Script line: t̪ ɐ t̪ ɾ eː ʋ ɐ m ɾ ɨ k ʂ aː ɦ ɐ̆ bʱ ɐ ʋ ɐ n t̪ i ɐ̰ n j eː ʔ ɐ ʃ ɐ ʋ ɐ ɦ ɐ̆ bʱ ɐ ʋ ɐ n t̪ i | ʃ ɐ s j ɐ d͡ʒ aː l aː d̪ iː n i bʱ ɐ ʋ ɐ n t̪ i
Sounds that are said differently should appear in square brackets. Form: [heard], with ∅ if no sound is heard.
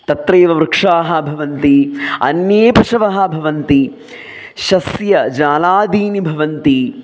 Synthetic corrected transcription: t̪ ɐ t̪ ɾ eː ʋ ɐ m ɾ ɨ k ʂ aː ɦ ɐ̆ bʱ ɐ ʋ ɐ n t̪ i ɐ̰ n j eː [p] ɐ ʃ ɐ ʋ ɐ ɦ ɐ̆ bʱ ɐ ʋ ɐ n t̪ i | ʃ ɐ s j ɐ d͡ʒ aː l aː d̪ iː n i bʱ ɐ ʋ ɐ n t̪ i